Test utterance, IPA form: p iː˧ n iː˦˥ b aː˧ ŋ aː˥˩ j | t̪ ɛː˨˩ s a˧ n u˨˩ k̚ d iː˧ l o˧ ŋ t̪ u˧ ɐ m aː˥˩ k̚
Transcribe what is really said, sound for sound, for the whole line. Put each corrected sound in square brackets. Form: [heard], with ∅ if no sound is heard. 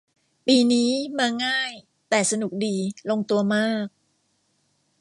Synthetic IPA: p iː˧ n iː˦˥ [m] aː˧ ŋ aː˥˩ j | t̪ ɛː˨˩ s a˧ n u˨˩ k̚ d iː˧ l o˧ ŋ t̪ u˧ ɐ m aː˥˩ k̚